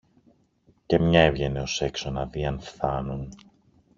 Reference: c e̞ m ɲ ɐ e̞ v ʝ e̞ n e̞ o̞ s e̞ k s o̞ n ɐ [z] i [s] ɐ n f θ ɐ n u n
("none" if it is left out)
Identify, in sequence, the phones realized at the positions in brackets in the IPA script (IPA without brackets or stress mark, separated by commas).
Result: ð, none